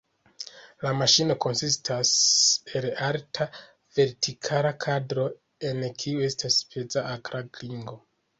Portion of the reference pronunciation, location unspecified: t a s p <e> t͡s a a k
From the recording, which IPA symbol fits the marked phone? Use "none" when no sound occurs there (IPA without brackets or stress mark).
e